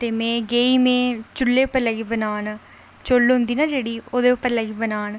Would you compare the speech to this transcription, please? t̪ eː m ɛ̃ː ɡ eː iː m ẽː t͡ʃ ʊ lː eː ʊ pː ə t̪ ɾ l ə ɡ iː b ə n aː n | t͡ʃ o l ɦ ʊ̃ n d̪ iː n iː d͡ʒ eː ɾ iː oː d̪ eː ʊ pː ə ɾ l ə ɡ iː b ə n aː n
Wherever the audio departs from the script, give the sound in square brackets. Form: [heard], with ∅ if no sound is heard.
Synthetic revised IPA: t̪ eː m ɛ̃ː ɡ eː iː m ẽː t͡ʃ ʊ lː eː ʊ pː ə [∅] ɾ l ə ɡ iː b ə n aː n | t͡ʃ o l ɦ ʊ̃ n d̪ iː n [aː] d͡ʒ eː [ɽ] iː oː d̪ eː ʊ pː ə ɾ l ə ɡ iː b ə n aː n